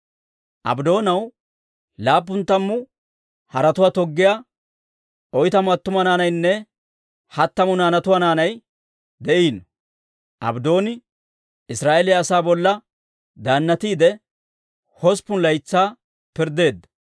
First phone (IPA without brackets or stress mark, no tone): ʔ